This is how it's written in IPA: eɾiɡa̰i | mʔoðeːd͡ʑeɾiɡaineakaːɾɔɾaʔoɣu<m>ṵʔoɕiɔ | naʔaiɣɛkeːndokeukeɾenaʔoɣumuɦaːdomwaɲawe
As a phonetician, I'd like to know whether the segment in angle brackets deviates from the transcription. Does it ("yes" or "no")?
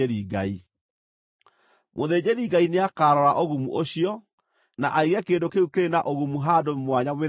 no